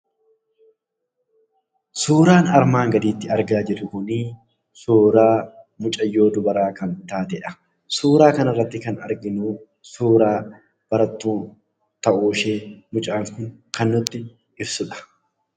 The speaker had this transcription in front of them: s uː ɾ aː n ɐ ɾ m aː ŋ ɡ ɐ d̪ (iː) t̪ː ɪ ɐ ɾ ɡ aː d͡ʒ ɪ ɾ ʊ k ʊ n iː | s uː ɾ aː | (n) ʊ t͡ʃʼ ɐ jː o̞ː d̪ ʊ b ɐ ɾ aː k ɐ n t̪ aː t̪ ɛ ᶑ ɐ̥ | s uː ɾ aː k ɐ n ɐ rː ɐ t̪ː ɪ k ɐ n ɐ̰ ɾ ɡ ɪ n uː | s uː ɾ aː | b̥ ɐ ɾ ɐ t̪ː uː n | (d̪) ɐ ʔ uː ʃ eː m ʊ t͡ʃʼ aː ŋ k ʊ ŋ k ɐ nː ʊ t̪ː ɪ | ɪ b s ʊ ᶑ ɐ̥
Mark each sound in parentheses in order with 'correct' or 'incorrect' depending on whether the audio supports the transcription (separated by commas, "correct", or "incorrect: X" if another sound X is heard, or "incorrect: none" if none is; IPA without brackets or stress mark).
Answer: correct, incorrect: m, incorrect: t̪